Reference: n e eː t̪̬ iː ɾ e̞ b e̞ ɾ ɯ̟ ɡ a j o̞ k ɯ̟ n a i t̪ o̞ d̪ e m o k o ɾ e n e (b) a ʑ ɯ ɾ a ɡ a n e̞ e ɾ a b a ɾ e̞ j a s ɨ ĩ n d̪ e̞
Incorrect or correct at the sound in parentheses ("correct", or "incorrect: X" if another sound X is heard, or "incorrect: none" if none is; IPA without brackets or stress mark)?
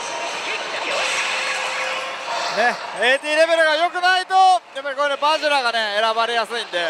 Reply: correct